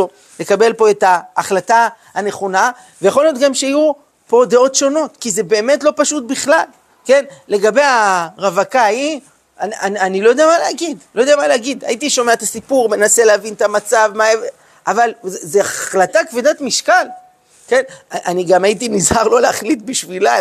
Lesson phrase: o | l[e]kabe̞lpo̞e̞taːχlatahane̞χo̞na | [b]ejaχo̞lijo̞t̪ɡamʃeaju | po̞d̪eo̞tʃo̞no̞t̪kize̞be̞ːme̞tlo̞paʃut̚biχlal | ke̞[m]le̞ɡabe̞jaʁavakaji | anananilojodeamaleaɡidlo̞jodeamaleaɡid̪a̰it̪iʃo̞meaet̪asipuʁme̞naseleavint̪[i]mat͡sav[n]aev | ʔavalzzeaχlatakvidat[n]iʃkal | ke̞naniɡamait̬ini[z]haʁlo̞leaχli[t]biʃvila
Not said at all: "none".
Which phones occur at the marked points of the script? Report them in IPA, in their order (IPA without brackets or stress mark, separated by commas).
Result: e, v, n, a, m, m, z, t